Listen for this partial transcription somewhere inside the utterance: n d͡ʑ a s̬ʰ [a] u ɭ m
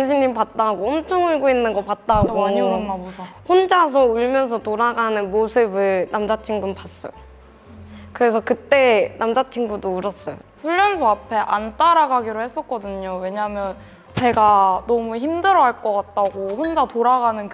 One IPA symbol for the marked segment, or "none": ʌ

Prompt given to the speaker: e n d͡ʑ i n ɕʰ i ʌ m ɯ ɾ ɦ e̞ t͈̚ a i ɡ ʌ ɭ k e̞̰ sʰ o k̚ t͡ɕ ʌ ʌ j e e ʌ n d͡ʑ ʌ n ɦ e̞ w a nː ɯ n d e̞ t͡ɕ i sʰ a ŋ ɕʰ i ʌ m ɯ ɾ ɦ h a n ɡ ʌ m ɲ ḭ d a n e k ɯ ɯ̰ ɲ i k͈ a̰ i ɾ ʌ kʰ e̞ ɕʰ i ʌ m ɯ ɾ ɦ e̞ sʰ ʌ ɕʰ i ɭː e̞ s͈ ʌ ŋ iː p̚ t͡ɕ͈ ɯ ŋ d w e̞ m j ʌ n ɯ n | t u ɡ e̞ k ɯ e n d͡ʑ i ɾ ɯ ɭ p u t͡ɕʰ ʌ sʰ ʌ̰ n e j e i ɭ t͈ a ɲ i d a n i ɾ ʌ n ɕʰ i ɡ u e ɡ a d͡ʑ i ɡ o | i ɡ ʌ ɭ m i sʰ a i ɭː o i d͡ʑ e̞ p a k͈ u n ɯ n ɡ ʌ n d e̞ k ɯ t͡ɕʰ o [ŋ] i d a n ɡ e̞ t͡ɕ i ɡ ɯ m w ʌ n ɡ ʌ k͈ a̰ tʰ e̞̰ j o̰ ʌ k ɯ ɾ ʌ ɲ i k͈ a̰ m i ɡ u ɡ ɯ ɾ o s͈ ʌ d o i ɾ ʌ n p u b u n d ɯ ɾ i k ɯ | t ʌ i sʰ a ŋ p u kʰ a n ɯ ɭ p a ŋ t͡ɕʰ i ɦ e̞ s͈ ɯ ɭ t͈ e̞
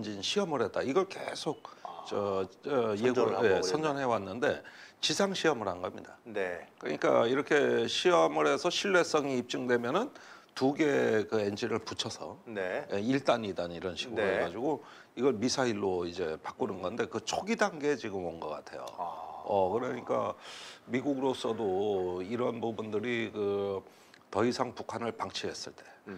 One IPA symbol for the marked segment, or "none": ɡ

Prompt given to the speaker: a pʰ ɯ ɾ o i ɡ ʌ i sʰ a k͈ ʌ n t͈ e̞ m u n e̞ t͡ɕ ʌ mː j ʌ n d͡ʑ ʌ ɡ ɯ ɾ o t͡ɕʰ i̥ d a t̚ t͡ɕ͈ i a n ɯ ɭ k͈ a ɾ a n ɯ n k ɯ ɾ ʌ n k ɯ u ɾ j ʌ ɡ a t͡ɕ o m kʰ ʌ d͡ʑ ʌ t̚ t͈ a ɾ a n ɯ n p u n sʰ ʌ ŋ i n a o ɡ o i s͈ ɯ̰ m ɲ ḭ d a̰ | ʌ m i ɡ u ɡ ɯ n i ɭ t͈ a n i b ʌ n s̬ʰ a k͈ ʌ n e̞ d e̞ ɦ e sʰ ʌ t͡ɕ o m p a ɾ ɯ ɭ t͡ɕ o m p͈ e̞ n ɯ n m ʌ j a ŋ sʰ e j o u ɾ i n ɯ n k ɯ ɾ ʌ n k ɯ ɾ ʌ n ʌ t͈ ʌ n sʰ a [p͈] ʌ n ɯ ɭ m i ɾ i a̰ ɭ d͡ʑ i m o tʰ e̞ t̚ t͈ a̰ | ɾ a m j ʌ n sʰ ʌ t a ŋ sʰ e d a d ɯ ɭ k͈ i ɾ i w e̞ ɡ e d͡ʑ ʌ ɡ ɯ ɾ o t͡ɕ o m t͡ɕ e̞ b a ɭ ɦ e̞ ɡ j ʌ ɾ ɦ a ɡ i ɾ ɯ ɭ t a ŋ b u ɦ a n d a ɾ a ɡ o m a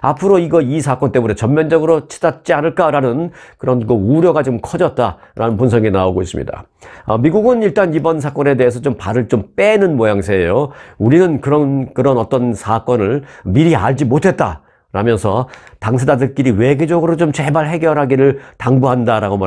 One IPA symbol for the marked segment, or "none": k͈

